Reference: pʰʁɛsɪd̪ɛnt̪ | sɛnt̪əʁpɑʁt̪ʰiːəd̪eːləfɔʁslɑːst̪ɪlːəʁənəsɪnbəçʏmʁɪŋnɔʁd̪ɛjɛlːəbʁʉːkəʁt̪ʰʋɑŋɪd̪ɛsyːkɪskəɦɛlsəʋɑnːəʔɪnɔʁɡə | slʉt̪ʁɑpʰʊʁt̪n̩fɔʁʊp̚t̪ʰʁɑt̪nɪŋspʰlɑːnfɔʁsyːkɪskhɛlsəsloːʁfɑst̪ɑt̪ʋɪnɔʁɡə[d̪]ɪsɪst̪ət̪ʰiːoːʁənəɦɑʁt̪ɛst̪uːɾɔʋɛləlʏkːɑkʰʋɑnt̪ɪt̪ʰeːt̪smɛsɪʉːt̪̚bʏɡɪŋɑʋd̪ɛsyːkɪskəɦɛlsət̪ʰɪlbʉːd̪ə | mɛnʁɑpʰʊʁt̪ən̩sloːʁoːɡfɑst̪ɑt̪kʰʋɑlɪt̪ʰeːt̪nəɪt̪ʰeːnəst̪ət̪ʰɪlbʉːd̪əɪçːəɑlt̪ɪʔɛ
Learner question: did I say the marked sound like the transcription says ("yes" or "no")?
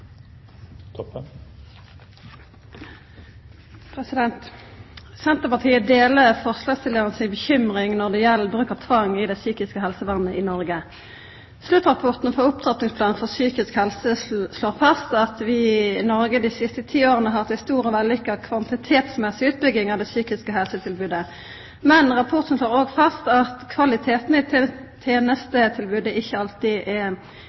yes